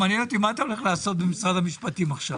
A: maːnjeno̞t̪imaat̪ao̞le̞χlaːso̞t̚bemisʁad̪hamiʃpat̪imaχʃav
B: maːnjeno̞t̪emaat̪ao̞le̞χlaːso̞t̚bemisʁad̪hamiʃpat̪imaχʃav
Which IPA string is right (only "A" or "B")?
A